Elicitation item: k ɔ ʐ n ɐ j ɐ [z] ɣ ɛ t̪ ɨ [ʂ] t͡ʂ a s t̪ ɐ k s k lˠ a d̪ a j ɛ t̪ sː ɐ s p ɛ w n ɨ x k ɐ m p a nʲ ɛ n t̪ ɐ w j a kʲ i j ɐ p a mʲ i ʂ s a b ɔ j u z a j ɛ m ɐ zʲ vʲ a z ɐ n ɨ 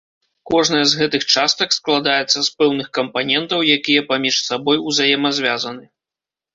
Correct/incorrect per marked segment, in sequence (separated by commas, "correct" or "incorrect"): correct, incorrect